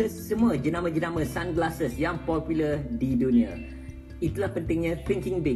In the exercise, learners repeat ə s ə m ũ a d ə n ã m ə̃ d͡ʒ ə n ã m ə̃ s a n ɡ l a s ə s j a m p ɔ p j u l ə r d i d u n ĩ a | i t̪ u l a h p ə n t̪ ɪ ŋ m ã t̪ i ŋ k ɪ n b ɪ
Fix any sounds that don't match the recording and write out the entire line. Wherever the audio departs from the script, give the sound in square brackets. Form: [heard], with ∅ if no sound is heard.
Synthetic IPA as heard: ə s ə m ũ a [d͡ʒ] ə n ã m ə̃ d͡ʒ ə n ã m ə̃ s a n ɡ l a s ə s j a [ŋ] p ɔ p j u l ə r d i d u n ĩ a | i t̪ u l a h p ə n t̪ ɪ ŋ [ɲ] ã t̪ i ŋ k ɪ [ŋ] b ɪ